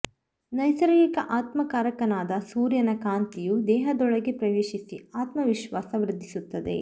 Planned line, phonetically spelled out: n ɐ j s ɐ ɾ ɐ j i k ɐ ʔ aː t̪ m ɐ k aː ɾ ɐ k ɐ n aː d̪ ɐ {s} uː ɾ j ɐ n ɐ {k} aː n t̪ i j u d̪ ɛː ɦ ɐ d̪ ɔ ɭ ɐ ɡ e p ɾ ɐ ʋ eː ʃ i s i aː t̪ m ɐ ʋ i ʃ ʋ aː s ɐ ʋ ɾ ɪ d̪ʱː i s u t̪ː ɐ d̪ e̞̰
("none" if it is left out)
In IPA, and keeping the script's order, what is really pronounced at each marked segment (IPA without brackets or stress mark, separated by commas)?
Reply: s, k